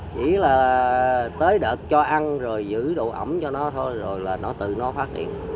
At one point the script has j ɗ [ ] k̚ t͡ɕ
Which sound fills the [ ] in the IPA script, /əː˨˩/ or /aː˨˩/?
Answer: əː˨˩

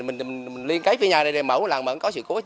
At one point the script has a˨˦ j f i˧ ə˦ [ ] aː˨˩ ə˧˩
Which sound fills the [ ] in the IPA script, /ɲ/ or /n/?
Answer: ɲ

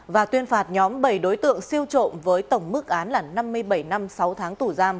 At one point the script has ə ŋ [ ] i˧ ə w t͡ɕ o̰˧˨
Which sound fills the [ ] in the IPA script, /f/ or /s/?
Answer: s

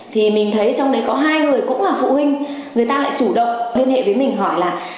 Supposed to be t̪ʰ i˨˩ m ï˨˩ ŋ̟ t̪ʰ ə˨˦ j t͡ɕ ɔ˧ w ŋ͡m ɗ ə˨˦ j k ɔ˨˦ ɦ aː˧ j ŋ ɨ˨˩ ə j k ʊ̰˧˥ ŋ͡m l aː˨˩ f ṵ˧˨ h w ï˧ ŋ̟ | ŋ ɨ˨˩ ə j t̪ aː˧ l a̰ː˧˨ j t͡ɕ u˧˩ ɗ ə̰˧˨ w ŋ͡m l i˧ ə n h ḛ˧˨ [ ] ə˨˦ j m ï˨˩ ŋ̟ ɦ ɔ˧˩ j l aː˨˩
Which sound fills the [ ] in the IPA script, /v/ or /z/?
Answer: v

